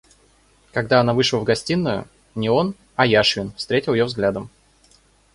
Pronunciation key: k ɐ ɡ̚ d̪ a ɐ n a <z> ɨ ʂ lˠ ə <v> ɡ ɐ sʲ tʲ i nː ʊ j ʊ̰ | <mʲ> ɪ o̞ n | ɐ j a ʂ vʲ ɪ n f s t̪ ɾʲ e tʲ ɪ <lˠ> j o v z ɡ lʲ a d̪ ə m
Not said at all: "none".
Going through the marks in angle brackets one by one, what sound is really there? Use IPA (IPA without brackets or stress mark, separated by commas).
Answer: v, v, nʲ, lˠ